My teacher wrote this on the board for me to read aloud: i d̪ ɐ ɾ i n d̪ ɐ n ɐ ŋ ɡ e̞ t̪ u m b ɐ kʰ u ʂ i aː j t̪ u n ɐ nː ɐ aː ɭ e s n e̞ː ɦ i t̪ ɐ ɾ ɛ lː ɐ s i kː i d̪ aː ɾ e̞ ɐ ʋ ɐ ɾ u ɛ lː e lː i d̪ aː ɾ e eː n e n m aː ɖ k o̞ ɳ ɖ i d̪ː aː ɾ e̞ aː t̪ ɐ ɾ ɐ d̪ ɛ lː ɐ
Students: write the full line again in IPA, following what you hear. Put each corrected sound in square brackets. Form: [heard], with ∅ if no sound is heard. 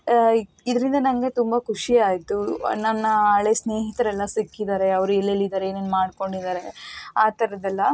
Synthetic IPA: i d̪ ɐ ɾ i n d̪ ɐ n ɐ ŋ ɡ e̞ t̪ u m b ɐ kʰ u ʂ i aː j t̪ u n ɐ nː ɐ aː ɭ e s n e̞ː ɦ i t̪ ɐ ɾ ɛ lː ɐ s i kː i d̪ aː ɾ e̞ ɐ ʋ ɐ ɾ u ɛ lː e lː i d̪ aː ɾ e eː n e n m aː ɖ k o̞ ɳ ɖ i [d̪] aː ɾ e̞ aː t̪ ɐ ɾ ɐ d̪ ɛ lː ɐ